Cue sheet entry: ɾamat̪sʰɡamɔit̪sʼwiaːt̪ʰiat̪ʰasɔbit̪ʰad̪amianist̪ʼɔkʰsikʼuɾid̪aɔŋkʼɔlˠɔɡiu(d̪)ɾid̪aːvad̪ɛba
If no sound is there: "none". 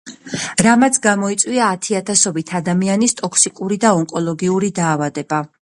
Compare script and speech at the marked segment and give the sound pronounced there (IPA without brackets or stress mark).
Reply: none